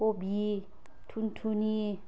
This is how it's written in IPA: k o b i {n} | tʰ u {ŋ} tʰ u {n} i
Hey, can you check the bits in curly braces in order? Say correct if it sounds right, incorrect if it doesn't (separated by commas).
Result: incorrect, incorrect, correct